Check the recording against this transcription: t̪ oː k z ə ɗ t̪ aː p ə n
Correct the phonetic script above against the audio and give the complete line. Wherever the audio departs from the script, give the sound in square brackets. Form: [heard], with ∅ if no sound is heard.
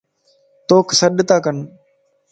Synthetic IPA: t̪ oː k [s] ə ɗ t̪ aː [k] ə n

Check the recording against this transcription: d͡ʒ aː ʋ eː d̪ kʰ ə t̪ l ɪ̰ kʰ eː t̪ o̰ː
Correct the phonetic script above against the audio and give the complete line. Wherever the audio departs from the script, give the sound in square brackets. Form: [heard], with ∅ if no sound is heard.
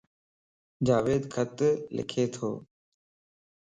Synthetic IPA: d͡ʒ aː ʋ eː d̪ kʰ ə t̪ l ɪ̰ kʰ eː [t̪ʰ] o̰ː

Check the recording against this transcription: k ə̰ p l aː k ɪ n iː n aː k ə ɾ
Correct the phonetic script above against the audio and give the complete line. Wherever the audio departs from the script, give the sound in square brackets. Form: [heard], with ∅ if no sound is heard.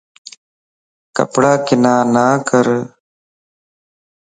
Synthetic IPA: k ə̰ p [ɽ] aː k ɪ n [aː] n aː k ə ɾ

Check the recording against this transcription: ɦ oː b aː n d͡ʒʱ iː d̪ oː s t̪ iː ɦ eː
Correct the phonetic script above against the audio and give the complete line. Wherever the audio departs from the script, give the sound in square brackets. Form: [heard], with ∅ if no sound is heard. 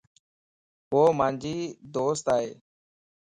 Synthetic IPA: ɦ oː [m] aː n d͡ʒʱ iː d̪ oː s t̪ [aː] ɦ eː

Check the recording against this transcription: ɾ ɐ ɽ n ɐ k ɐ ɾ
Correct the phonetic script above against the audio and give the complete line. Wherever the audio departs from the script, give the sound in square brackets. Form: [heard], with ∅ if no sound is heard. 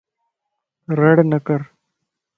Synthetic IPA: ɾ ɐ ɽ n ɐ k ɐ ɾ

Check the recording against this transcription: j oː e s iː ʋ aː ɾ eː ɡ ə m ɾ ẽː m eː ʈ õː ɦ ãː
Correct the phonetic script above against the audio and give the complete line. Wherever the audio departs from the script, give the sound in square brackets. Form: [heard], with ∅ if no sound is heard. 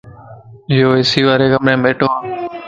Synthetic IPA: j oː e s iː ʋ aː ɾ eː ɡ ə m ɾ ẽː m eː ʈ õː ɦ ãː

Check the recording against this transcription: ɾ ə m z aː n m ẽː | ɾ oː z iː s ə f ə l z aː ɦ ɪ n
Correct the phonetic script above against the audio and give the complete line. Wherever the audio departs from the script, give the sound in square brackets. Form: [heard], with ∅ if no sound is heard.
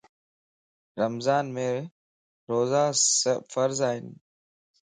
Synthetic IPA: ɾ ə m z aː n m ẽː | ɾ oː z [aː] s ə f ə [ɾ] z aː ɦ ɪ n

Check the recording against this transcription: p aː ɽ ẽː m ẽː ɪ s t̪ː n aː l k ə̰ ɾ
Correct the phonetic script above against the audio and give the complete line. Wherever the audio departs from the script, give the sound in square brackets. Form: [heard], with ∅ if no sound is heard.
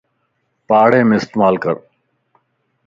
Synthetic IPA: p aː ɽ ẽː m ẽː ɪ s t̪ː [m] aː l k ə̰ ɾ

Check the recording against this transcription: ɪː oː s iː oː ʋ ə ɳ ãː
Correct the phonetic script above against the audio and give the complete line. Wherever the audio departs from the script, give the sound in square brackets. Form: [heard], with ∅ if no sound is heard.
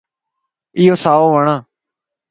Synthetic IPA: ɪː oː s [aː] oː ʋ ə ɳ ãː

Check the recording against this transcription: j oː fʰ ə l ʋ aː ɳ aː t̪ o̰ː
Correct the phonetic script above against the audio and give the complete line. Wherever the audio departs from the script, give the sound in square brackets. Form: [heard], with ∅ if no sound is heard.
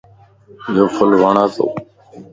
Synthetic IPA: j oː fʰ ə l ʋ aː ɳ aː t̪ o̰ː

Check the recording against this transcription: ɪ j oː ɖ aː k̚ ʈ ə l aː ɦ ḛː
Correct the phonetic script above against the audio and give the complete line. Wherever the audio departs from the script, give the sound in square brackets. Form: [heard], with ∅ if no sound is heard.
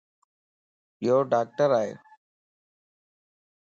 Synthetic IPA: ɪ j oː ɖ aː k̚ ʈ ə [ɾ] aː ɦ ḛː

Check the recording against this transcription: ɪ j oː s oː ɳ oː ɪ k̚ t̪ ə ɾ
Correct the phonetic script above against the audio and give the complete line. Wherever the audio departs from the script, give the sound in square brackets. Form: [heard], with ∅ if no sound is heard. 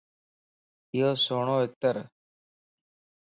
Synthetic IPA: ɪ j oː s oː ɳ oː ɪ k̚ t̪ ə ɾ

